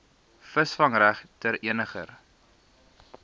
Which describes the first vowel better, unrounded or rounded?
unrounded